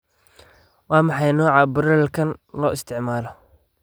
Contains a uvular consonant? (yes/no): no